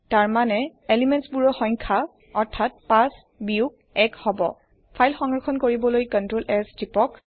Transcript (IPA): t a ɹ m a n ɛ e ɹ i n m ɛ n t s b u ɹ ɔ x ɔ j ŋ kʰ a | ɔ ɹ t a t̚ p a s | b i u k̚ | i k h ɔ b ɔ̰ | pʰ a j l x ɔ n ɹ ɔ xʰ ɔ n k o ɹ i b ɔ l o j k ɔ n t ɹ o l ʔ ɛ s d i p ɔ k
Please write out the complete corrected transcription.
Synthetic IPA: t a ɹ m a n ɛ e l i m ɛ n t s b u ɹ ɔ x ɔ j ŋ kʰ a | ɔ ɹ tʰ a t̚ p a s | b i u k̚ | ɛ k h ɔ b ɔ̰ | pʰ a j l x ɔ ŋ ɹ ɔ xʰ ɔ n k o ɹ i b ɔ l o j k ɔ n t ɹ o l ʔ ɛ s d i p ɔ k